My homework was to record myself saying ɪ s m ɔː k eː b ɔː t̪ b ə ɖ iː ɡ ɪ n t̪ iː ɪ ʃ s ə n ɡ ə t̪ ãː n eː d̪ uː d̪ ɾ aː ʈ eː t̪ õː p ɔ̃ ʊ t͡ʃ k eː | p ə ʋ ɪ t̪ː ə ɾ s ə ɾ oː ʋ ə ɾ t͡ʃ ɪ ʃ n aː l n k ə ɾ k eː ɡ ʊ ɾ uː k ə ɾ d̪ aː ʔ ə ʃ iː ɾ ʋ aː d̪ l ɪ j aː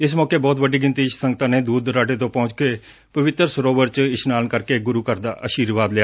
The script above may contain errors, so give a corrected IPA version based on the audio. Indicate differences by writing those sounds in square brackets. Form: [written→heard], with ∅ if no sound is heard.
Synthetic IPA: ɪ s m ɔː k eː b ɔː t̪ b ə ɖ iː ɡ ɪ n t̪ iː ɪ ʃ s ə [n→ŋ] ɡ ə t̪ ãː n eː d̪ uː d̪ ɾ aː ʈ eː t̪ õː p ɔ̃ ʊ t͡ʃ k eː | p ə ʋ ɪ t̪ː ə ɾ s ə ɾ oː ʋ ə ɾ t͡ʃ ɪ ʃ n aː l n k ə ɾ k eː ɡ ʊ ɾ uː k ə ɾ d̪ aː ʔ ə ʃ iː ɾ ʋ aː d̪ l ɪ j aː